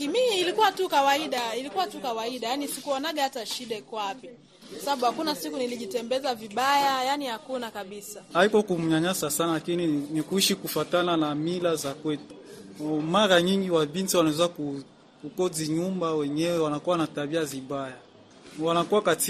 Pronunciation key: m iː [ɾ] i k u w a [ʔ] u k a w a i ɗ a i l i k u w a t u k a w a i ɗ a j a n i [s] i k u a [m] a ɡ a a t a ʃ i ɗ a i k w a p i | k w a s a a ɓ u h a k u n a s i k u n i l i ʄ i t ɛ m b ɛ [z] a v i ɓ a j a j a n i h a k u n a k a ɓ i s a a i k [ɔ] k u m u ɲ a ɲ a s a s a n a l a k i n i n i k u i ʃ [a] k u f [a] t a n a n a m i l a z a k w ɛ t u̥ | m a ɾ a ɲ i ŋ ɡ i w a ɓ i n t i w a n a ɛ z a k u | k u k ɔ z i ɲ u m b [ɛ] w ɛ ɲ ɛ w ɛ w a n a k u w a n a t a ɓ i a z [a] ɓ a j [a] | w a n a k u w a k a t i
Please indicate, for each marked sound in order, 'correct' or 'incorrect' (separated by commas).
incorrect, incorrect, correct, incorrect, correct, correct, incorrect, correct, incorrect, incorrect, correct